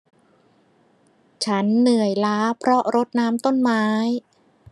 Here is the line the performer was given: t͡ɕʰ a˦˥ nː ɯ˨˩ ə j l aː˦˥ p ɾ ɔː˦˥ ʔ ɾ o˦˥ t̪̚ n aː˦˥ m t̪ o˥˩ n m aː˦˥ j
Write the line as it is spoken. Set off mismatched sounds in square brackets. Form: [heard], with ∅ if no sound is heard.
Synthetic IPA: t͡ɕʰ a˦˥ nː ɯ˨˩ ə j l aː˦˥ [pʰ] ɾ [ɔ˦˥] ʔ ɾ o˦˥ t̪̚ n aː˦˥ m t̪ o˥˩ n m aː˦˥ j